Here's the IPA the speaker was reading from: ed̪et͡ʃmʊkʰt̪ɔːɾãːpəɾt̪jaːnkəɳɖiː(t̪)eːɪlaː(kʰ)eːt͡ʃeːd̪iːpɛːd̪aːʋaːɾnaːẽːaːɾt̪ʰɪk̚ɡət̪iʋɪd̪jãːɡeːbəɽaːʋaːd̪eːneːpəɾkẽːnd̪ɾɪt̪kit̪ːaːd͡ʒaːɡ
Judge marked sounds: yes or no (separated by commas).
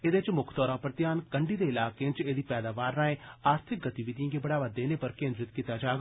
no, no